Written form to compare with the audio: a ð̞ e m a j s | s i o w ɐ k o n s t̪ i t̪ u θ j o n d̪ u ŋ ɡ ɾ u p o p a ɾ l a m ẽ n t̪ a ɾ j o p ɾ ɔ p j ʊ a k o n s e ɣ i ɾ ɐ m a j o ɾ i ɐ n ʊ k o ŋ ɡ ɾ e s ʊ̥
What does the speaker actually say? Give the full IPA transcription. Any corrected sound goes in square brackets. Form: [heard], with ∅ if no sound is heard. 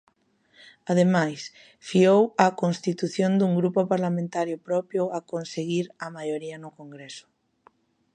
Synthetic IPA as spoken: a ð̞ e m a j s | [f] i o w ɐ k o n s t̪ i t̪ u θ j o n d̪ u ŋ ɡ ɾ u p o p a ɾ l a m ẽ n t̪ a ɾ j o p ɾ ɔ p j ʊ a k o n s e ɣ i ɾ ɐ m a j o ɾ i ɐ n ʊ k o ŋ ɡ ɾ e s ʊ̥